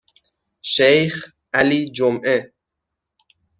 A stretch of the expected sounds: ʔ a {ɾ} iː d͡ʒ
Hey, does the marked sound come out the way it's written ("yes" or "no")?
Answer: no